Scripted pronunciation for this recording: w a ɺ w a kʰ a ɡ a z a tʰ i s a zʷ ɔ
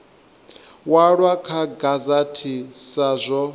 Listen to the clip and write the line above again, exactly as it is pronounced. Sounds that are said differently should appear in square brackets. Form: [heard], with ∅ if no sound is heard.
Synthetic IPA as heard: w a ɺ w a kʰ a ɡ a z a tʰ i s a zʷ ɔ